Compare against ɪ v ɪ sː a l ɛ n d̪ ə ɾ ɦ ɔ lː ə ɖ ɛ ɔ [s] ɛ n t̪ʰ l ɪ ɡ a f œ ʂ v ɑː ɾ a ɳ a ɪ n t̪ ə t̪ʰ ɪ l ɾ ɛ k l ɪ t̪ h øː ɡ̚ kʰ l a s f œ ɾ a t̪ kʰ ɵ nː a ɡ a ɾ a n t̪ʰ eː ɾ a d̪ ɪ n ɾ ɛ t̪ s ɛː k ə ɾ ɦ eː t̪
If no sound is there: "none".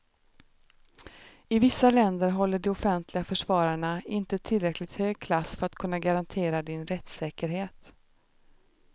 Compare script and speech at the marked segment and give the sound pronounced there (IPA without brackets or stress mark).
f